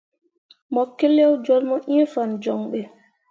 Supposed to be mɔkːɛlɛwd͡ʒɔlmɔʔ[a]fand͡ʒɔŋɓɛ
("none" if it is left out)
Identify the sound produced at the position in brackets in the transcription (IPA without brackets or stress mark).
i